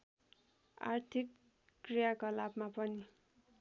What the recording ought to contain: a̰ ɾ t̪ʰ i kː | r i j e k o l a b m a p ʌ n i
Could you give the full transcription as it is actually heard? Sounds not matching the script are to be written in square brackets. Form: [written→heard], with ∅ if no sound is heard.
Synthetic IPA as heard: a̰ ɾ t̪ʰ i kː | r i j [e→a] k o l a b m a p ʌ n i